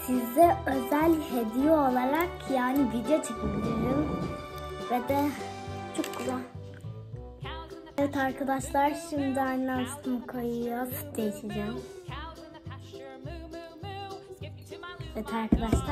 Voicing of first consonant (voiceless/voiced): voiceless